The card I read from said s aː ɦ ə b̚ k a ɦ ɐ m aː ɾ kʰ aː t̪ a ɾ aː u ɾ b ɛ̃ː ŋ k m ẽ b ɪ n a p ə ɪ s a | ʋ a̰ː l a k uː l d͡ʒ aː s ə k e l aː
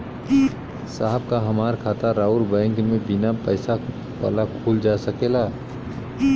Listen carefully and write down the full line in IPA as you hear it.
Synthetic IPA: s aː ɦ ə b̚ k a ɦ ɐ m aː ɾ kʰ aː t̪ a ɾ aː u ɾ b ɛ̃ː ŋ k m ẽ b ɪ n a p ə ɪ s a | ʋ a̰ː l a kʰ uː l d͡ʒ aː s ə k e l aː